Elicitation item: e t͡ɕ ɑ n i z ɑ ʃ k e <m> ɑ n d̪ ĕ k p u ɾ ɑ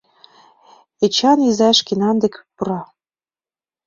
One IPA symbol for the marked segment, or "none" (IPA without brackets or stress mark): n